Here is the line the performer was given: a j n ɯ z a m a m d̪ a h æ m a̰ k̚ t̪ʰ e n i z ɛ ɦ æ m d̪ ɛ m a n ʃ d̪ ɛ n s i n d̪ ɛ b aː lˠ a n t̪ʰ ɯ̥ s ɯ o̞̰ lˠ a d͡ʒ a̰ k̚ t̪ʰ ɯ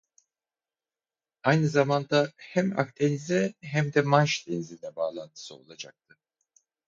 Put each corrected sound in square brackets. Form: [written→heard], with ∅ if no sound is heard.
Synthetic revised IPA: a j n ɯ z a m a [m→n] d̪ a h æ m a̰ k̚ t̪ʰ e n i z ɛ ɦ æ m d̪ ɛ m a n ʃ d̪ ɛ n [s→z] i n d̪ ɛ b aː lˠ a n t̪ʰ ɯ̥ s ɯ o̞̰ lˠ a d͡ʒ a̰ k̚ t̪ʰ ɯ

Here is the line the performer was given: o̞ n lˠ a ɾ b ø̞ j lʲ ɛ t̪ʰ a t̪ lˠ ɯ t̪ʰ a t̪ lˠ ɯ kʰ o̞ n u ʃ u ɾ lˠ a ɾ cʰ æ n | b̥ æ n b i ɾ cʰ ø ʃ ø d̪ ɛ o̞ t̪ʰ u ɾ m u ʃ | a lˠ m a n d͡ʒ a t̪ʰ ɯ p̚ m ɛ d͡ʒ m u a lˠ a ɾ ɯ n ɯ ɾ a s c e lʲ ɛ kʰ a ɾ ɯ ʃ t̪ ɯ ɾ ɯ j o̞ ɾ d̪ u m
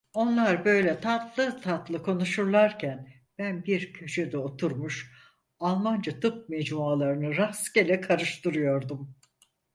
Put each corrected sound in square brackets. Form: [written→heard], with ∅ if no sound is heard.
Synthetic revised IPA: o̞ n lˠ a ɾ b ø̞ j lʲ ɛ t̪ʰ a t̪ lˠ ɯ t̪ʰ a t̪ lˠ ɯ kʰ o̞ n u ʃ u ɾ lˠ a ɾ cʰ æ n | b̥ æ n b i ɾ cʰ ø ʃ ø d̪ ɛ o̞ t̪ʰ u ɾ m u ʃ | a lˠ m a n d͡ʒ a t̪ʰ ɯ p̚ m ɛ d͡ʒ m u a lˠ a ɾ ɯ n ɯ ɾ a s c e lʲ ɛ kʰ a ɾ ɯ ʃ t̪ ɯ ɾ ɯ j o̞ ɾ d̪ u m

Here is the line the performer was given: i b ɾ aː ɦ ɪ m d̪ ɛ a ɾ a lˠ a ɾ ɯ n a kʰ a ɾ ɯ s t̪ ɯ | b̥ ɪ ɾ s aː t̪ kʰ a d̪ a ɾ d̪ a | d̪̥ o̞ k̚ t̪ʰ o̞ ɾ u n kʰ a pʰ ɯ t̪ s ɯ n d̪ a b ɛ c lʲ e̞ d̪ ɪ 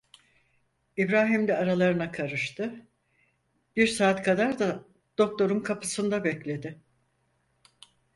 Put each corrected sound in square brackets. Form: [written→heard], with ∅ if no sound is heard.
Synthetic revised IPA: i b ɾ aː ɦ [ɪ→i] m d̪ ɛ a ɾ a lˠ a ɾ ɯ n a kʰ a ɾ ɯ [s→ʃ] t̪ ɯ | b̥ [ɪ→i] ɾ s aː t̪ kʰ a d̪ a ɾ d̪ a | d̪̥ o̞ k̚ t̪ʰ o̞ ɾ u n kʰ a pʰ ɯ [t̪→∅] s ɯ n d̪ a b ɛ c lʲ e̞ d̪ ɪ

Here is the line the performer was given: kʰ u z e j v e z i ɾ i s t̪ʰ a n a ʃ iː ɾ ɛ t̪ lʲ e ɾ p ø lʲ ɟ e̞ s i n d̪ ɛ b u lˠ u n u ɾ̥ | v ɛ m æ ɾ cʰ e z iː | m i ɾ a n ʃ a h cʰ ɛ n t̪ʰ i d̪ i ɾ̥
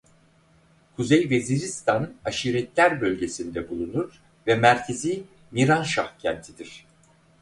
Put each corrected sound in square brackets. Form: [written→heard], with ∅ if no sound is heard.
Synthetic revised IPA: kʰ u z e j v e z i ɾ i s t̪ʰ a n a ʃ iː ɾ ɛ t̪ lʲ [e→æ] ɾ [p→b] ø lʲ ɟ e̞ s i n d̪ ɛ b u lˠ u n u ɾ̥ | v ɛ m æ ɾ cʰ e z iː | m i ɾ a n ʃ a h cʰ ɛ n t̪ʰ i d̪ i ɾ̥

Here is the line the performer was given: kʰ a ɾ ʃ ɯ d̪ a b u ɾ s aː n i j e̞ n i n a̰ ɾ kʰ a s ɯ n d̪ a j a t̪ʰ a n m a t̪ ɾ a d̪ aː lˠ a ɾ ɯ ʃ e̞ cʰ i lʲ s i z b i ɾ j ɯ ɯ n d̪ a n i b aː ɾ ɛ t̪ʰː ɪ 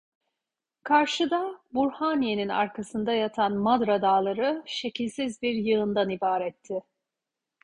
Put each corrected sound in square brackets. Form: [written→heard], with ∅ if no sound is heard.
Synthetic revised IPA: kʰ a ɾ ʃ ɯ d̪ a b u ɾ [s→h] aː n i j e̞ n i n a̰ ɾ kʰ a s ɯ n d̪ a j a t̪ʰ a n m a [t̪→d̪] ɾ a d̪ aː lˠ a ɾ ɯ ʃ e̞ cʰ i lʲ s i z b i ɾ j ɯ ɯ n d̪ a n i b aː ɾ ɛ t̪ʰː ɪ

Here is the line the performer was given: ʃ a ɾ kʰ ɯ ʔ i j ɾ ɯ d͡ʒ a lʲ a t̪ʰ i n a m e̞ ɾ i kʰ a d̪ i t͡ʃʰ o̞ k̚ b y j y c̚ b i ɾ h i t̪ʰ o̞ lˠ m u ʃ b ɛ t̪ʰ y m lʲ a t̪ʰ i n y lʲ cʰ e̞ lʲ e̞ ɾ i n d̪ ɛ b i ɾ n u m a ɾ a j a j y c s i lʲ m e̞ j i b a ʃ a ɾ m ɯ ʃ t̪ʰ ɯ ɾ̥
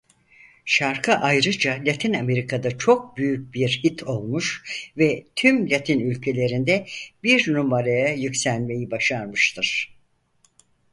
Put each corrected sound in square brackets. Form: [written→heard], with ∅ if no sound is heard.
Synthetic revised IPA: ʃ a ɾ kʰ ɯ ʔ [i→a] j ɾ ɯ d͡ʒ a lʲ a t̪ʰ i n a m e̞ ɾ i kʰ a d̪ [i→a] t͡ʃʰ o̞ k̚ b y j y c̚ b i ɾ h i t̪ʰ o̞ lˠ m u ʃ [b→v] ɛ t̪ʰ y m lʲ a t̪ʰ i n y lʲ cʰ e̞ lʲ e̞ ɾ i n d̪ ɛ b i ɾ n u m a ɾ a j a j y c s [i→æ] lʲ m e̞ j i b a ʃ a ɾ m ɯ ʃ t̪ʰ ɯ ɾ̥

